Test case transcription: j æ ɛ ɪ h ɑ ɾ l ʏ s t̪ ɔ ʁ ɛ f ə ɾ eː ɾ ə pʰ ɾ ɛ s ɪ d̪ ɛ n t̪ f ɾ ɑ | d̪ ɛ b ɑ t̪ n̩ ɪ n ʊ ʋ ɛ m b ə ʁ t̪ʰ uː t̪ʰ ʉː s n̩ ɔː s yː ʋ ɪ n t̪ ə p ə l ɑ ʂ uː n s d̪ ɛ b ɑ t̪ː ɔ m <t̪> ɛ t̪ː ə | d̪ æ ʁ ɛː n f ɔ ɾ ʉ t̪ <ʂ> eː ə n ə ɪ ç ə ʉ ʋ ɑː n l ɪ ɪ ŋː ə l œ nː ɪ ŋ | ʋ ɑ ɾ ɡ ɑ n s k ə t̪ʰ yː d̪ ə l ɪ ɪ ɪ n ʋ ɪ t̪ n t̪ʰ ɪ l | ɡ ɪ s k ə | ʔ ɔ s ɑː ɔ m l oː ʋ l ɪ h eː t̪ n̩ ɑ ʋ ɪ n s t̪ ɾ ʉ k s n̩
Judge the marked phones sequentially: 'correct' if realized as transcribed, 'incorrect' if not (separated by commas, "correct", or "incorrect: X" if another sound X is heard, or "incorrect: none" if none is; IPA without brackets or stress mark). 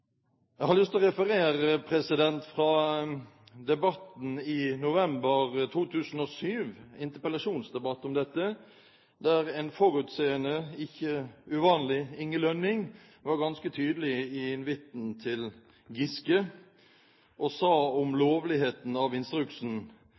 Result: incorrect: d̪, incorrect: s